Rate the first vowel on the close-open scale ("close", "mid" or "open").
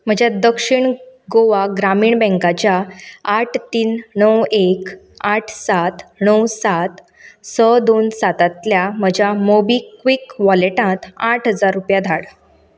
mid